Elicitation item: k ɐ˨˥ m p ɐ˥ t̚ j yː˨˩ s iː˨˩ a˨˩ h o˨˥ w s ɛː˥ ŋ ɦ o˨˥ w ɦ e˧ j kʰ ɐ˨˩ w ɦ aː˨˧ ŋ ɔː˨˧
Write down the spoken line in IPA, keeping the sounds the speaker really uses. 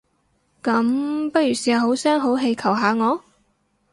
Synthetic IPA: k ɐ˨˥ m p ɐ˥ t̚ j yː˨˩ s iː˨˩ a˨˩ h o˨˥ w s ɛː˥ ŋ ɦ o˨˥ w ɦ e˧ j kʰ ɐ˨˩ w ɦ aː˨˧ ŋ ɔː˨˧